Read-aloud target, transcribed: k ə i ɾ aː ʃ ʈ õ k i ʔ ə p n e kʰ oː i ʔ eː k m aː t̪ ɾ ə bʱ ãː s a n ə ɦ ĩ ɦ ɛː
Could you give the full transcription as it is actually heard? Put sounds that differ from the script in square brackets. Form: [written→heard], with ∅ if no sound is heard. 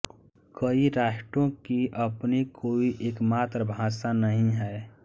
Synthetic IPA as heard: k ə i ɾ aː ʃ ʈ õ k i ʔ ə p n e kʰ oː i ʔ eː k m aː t̪ ɾ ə bʱ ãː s a n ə ɦ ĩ ɦ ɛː